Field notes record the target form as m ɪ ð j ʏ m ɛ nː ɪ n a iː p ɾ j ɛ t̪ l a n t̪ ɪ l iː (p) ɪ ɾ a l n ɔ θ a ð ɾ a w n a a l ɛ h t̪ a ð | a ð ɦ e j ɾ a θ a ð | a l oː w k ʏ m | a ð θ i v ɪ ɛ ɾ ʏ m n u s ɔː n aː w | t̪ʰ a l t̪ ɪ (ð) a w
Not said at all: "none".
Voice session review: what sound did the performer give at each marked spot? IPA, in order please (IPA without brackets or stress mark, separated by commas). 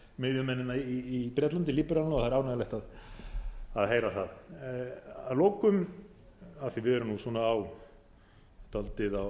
p, ð